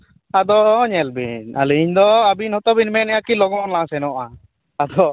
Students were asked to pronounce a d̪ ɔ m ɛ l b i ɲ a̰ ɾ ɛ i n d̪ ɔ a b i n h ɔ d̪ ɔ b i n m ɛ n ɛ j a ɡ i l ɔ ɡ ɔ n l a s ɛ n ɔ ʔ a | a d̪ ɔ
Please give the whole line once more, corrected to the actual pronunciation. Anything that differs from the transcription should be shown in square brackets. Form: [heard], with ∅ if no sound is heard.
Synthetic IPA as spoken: a d̪ ɔ [ɲ] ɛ l b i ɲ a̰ [l] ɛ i [ɲ] d̪ ɔ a b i n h ɔ [t̪] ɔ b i n m ɛ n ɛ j a [k] i l ɔ ɡ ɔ n l a s ɛ n ɔ ʔ a | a d̪ ɔ